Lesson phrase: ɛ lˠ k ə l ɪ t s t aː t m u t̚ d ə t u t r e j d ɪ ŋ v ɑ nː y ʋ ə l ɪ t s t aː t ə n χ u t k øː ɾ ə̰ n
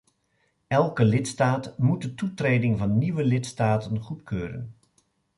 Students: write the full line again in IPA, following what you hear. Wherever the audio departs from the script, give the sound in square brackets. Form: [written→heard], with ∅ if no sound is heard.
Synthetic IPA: ɛ lˠ k ə l ɪ t s t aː t m u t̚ d ə t u t r e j d ɪ ŋ v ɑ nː [y→i] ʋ ə l ɪ t s t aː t ə n χ u t k øː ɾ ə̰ n